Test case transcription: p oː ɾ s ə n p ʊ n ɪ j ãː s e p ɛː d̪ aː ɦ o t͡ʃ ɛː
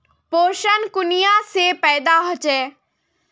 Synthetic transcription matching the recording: p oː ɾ ʃ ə n k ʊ n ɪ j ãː s e p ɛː d̪ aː ɦ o t͡ʃ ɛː